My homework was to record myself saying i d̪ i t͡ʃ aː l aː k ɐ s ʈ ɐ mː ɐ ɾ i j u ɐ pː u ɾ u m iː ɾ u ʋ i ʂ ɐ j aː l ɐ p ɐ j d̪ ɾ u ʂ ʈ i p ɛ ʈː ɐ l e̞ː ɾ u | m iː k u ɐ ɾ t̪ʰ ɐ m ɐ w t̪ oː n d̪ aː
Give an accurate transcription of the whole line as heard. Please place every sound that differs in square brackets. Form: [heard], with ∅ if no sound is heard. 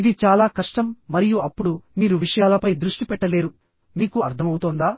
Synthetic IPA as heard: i d̪ i t͡ʃ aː l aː k ɐ [ʂ] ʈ ɐ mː ɐ ɾ i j u ɐ pː u [ɽ] u m iː ɾ u ʋ i ʂ ɐ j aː l ɐ p ɐ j d̪ ɾ u ʂ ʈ i p ɛ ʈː ɐ l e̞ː ɾ u | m iː k u ɐ ɾ t̪ʰ ɐ m ɐ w t̪ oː n d̪ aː